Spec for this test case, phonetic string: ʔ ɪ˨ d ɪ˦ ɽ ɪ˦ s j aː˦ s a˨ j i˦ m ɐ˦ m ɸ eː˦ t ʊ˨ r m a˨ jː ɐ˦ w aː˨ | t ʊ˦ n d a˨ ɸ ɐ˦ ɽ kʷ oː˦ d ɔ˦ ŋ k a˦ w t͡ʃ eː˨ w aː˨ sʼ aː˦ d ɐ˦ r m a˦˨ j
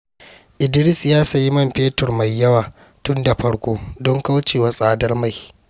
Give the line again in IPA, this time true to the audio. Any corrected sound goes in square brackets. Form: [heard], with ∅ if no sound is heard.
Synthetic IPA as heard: ʔ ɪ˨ d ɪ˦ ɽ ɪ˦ s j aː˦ s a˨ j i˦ m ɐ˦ m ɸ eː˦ t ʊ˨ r m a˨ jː ɐ˦ w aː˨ | t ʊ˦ n d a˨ ɸ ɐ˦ ɽ kʷ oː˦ d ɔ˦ ŋ k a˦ w t͡ʃ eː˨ w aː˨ sʼ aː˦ d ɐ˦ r m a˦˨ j